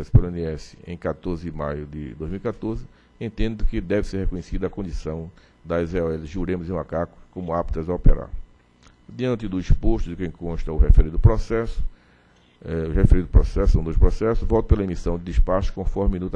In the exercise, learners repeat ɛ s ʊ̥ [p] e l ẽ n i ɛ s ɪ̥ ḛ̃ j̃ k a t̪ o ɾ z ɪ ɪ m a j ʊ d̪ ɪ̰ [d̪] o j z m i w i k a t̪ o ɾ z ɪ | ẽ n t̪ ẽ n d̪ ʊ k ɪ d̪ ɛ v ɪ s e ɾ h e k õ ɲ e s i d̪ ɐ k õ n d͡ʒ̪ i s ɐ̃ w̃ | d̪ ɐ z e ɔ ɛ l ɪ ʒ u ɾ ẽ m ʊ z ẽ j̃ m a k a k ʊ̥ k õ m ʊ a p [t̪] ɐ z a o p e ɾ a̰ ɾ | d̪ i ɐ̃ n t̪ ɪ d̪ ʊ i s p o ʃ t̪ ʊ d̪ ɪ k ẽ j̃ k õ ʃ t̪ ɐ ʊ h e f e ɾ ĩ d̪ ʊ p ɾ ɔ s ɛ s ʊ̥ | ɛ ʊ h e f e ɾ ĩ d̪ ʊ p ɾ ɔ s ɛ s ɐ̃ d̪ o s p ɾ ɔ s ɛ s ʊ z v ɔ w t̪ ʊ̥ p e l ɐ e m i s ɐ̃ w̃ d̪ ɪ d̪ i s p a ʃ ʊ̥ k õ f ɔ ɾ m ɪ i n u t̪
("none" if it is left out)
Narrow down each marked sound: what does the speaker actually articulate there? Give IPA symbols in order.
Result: p, d̪, t̪

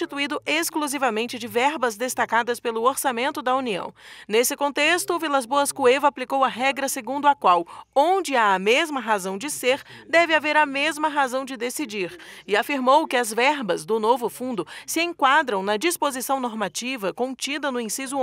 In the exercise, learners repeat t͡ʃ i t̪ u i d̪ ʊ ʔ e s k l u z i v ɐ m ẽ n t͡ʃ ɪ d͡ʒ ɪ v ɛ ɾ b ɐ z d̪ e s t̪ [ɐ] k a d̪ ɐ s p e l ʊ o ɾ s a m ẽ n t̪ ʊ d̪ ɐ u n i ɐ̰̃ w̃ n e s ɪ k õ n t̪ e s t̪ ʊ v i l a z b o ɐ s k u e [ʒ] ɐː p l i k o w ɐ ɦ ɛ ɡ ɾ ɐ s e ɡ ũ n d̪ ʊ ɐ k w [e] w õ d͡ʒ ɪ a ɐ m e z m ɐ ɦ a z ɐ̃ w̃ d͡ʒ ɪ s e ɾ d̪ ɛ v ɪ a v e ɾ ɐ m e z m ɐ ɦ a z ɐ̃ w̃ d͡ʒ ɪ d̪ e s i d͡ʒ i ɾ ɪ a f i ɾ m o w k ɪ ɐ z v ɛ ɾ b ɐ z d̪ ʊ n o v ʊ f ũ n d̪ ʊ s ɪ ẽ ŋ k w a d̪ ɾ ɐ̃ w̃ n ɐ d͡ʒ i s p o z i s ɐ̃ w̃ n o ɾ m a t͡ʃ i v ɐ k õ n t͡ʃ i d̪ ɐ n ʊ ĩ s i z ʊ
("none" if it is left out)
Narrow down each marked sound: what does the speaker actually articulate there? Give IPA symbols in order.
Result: a, v, a

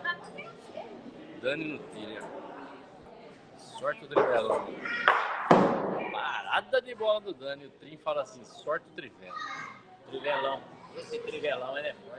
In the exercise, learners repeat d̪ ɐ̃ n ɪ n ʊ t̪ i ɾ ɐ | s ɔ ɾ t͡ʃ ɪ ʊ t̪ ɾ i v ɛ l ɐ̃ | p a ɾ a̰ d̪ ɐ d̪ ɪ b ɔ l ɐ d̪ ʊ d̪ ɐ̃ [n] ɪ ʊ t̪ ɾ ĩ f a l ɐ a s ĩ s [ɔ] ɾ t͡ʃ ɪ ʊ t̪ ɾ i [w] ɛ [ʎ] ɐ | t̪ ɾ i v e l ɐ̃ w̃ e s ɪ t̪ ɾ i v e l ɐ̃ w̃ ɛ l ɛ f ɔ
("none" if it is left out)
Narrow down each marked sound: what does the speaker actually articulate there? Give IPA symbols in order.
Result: n, ɔ, v, l

